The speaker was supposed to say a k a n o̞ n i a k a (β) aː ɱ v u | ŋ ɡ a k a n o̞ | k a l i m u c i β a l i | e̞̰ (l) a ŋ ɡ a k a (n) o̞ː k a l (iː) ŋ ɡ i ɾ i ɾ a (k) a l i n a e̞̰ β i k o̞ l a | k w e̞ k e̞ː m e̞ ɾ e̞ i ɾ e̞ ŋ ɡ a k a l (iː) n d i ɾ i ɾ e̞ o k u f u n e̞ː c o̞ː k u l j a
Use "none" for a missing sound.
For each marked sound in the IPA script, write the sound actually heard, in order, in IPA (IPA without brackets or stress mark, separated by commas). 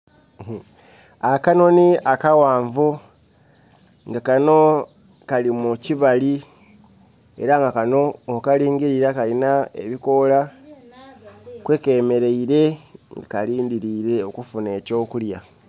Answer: w, ɾ, n, iː, k, iː